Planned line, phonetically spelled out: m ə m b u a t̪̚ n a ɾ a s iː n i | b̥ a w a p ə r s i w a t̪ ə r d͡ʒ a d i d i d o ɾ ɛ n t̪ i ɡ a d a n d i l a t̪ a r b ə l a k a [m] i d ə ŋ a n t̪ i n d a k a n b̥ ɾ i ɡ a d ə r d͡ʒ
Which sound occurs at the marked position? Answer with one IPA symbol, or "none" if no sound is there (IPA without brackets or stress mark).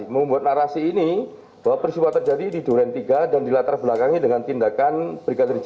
ŋ